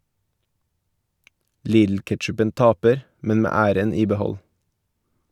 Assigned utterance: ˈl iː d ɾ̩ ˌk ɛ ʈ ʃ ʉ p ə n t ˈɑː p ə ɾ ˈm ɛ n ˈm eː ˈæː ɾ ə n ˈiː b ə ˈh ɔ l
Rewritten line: ˈl iː d l̩ ˌk ɛ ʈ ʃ ʉ p ə n t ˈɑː p ə ɾ ˈm ɛ n ˈm eː ˈæː ɾ ə n ˈiː b ə ˈh ɔ l

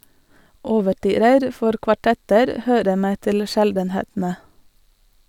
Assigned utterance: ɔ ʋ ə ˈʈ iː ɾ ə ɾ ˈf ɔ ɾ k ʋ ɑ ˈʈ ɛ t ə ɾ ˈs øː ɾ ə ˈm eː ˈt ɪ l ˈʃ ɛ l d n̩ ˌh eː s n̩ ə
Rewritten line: ɔ ʋ ə ˈʈ yː ɾ ə ɾ ˈf ɔ ɾ k ʋ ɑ ˈʈ ɛ t ə ɾ ˈh øː ɾ ə ˈm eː ˈt ɪ l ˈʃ ɛ l d n̩ ˌh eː t n̩ ə

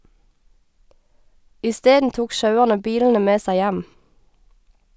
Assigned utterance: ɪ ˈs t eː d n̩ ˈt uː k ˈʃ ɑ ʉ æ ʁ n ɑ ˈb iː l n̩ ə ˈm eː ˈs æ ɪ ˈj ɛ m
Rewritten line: ɪ ˈs t eː d n̩ ˈt uː k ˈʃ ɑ ʉ æ ʁ n ə ˈb iː l n̩ ə ˈm eː ˈs æ ɪ ˈj æ m

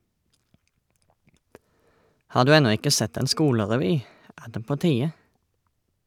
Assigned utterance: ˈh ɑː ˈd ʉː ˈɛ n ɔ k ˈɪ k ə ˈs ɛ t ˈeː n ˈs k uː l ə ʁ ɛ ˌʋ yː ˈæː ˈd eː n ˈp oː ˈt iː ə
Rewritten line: ˈh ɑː ˈd ʉː ˈɛ n ɔ ˈɪ k ə ˈs ɛ t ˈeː n ˈs k uː l ə ʁ ɛ ˌʋ yː ˈæː ˈd eː ˈp oː ˈt iː ə

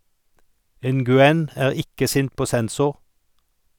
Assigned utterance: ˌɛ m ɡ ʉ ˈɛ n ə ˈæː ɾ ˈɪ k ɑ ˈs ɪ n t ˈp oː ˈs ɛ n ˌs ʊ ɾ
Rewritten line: ˌɛ n ɡ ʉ ˈɛ n ə ˈæː ɾ ˈɪ k ə ˈs ɪ n t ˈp oː ˈs ɛ n ˌs ʊ ɾ

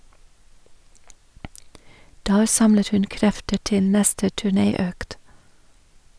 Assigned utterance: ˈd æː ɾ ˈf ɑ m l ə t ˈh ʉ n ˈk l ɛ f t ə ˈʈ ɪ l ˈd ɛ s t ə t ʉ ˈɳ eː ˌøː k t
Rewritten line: ˈd æː ɾ ˈs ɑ m l ə t ˈh ʉ n ˈk ɾ ɛ f t ə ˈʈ ɪ l ˈn ɛ s t ə t ʉ ˈɳ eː ˌøː k t

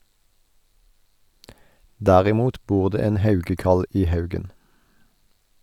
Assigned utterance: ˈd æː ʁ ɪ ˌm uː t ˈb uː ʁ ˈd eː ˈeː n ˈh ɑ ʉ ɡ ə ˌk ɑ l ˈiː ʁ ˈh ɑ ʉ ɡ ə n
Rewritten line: ˈd æː ʁ ɪ ˌm uː t ˈb uː ʁ ˈd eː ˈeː n ˈh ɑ ʉ ɡ ə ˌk ɑ l ˈiː ˈh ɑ ʉ ɡ ə n

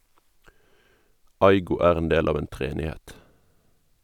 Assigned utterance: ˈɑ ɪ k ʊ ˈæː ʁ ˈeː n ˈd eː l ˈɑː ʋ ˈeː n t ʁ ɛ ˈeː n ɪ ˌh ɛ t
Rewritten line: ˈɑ ɪ ɡ ʊ ˈæː ʁ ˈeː n ˈd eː l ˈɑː ʋ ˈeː n t ʁ ɛ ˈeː n ɪ ˌh ɛ t

